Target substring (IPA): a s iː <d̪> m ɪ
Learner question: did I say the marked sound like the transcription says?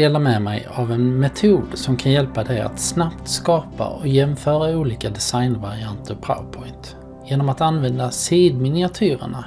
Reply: yes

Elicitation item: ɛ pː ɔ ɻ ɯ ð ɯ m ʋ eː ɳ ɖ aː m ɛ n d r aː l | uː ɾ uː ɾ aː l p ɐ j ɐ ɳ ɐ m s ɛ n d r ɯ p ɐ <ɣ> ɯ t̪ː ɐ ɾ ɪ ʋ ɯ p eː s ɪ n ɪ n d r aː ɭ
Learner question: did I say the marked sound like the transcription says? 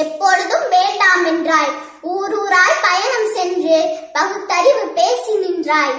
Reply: yes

